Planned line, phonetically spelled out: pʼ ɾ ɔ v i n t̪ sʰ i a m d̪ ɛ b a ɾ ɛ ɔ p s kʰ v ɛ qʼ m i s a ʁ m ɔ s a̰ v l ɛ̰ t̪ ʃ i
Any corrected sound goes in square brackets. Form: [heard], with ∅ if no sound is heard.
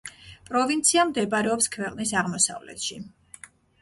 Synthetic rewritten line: pʼ ɾ ɔ v i n t̪ sʰ i a m d̪ ɛ b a ɾ ɛ ɔ p s kʰ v ɛ qʼ [n] i s a ʁ m ɔ s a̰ v l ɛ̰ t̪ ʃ i